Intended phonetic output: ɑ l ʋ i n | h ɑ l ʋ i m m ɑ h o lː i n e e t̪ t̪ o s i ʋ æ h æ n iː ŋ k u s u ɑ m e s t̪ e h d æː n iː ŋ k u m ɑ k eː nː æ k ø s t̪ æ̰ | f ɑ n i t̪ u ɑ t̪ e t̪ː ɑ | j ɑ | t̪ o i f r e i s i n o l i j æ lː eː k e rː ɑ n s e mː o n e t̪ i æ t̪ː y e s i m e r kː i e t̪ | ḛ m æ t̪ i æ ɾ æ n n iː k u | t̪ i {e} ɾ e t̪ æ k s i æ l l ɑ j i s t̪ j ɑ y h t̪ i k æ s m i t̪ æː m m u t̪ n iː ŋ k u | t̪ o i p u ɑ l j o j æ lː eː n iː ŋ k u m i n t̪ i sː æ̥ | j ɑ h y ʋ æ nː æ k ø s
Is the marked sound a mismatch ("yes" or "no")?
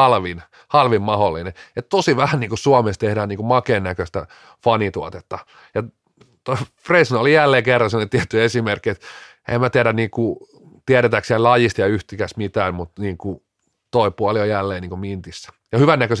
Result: yes